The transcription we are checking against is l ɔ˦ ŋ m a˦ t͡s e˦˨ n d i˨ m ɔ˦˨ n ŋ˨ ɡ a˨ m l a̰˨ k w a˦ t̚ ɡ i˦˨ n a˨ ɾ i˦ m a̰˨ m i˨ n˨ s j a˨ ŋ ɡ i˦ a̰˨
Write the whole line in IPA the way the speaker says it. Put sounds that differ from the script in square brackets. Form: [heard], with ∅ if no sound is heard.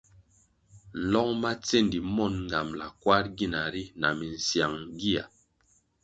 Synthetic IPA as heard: l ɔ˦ ŋ m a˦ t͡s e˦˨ n d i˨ m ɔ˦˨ n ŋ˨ ɡ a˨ m l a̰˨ k w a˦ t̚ ɡ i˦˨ n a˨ ɾ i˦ [n] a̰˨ m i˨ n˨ s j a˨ ŋ ɡ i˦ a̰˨